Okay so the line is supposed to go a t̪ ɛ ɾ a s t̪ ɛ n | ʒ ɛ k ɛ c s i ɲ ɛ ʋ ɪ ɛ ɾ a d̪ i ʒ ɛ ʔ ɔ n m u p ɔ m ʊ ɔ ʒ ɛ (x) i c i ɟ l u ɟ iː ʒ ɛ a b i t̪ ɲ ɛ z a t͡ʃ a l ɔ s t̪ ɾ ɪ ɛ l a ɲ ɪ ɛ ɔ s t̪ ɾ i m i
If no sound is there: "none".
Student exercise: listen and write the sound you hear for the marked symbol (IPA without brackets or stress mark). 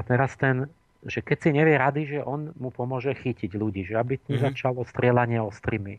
x